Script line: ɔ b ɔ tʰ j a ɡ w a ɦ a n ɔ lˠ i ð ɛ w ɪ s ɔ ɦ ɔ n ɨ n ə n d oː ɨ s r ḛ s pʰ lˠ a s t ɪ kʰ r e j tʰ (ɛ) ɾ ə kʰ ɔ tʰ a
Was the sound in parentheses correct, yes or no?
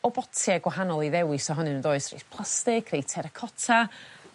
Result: yes